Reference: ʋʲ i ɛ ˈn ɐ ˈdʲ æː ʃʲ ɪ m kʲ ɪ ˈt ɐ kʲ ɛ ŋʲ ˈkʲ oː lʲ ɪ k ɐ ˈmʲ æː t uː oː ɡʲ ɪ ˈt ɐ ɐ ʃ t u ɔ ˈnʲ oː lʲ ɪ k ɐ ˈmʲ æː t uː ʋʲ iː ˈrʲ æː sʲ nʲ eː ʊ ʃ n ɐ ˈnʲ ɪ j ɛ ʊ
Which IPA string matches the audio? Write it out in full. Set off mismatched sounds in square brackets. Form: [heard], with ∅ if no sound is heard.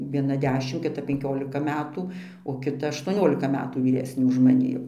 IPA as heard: ʋʲ i ɛ ˈn ɐ ˈdʲ æː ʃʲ ɪ m kʲ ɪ ˈt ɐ [pʲ] ɛ ŋʲ ˈkʲ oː lʲ ɪ k ɐ ˈmʲ æː t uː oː [kʲ] ɪ ˈt ɐ ɐ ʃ t u ɔ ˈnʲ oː lʲ ɪ k ɐ ˈmʲ æː t uː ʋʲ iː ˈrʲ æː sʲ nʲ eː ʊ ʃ [m] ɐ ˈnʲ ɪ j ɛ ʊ